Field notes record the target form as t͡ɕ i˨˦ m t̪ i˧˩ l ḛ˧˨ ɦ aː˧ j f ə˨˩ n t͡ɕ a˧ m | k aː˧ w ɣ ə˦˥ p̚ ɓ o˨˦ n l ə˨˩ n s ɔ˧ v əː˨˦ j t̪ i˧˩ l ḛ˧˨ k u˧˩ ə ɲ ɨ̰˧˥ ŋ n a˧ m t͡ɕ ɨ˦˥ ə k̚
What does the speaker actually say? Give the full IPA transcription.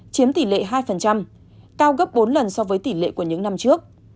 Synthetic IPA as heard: t͡ɕ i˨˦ m t̪ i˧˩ l ḛ˧˨ ɦ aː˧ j f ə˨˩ n t͡ɕ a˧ m | k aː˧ w ɣ ə˦˥ p̚ ɓ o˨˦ n l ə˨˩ n s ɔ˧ v əː˨˦ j t̪ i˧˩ l ḛ˧˨ k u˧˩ ə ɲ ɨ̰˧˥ ŋ n a˧ m t͡ɕ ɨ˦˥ ə k̚